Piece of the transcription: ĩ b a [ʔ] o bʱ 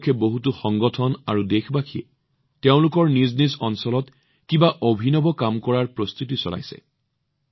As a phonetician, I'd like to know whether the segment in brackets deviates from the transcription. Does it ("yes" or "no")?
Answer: no